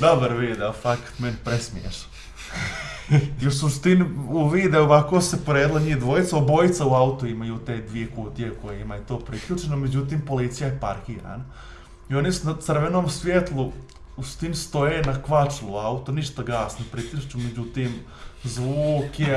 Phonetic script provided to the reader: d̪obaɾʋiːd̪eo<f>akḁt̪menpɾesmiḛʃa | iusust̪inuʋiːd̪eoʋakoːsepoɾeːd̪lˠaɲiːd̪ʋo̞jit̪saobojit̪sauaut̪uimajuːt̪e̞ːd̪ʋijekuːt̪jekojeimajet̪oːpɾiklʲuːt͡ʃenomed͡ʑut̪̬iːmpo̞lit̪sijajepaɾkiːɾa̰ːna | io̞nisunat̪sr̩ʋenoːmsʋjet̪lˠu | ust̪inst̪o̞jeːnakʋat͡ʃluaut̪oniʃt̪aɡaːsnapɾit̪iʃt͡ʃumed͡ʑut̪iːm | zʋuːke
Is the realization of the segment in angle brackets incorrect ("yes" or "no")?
no